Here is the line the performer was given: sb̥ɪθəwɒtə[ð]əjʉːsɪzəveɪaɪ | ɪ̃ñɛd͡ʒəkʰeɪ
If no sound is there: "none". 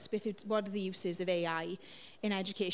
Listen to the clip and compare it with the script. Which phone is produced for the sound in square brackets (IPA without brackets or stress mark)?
ð